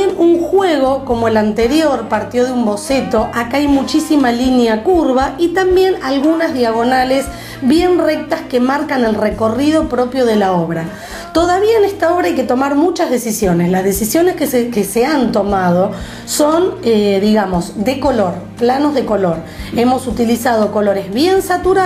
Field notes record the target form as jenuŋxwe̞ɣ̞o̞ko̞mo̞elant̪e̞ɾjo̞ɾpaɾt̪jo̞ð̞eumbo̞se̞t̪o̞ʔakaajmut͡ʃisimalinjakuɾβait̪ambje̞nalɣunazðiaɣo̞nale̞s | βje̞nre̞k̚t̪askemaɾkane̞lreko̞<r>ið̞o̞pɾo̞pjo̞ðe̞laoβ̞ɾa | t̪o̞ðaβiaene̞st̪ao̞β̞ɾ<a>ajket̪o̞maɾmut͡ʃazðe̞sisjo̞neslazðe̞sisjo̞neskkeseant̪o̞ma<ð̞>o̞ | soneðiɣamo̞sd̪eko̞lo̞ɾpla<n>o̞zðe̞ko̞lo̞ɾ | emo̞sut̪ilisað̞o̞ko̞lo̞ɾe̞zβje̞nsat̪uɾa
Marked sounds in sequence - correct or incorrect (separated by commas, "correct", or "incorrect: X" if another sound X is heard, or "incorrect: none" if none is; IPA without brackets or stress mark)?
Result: correct, correct, correct, correct